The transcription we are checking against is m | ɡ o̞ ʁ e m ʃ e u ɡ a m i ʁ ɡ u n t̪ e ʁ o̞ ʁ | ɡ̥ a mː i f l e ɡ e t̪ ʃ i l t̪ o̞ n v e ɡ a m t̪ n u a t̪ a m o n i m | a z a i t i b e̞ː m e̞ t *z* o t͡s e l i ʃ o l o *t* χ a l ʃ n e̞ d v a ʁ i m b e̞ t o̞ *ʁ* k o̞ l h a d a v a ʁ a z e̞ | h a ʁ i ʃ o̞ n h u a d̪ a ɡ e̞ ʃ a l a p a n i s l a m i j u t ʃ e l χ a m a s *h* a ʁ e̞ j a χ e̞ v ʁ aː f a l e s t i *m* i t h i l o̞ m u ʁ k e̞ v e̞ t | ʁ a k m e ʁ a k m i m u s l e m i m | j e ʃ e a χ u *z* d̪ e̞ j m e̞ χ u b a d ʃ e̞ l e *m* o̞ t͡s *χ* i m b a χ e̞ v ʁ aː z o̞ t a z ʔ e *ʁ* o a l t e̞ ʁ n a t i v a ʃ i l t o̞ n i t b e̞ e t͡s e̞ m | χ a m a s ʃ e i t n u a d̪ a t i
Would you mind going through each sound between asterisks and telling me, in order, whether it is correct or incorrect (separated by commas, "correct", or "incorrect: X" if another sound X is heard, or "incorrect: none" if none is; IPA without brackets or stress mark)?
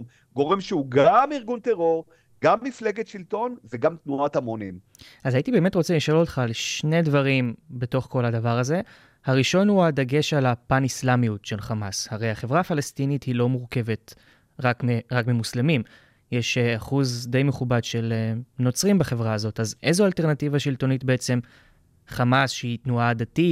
incorrect: ʁ, correct, incorrect: χ, correct, incorrect: n, correct, incorrect: n, incorrect: ʁ, incorrect: z